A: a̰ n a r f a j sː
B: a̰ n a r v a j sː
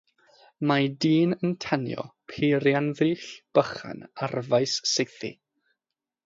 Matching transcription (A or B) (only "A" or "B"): B